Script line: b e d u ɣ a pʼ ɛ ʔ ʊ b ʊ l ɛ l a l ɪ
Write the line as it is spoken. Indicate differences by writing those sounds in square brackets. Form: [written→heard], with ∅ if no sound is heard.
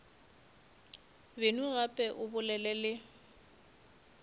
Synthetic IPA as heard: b e [d→n] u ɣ a pʼ ɛ ʔ ʊ b ʊ l ɛ l [a→ɛ] l ɪ